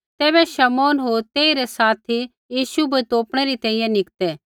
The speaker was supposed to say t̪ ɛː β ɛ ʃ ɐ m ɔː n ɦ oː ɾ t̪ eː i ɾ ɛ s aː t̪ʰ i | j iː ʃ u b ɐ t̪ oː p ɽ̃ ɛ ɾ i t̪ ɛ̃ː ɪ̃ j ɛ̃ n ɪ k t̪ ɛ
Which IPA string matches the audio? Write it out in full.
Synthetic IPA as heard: t̪ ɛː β ɛ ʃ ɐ m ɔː n ɦ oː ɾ t̪ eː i ɾ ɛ s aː t̪ʰ i | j iː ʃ u b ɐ t̪ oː p ɽ̃ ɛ ɾ i t̪ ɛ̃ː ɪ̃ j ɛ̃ n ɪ k t̪ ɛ